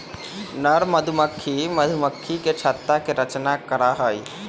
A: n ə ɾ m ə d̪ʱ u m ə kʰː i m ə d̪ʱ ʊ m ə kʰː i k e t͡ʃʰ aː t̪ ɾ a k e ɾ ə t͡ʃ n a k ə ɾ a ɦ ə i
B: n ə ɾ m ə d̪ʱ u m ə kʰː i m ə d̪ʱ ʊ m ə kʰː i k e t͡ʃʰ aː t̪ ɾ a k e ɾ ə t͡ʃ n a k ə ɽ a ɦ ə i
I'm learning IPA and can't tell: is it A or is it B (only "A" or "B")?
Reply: A